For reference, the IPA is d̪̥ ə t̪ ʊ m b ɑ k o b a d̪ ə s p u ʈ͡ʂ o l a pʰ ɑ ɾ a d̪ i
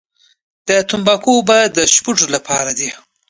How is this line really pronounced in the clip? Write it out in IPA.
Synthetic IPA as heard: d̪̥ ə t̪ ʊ m b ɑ k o b a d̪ ə ʃ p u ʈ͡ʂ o l a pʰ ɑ ɾ a d̪ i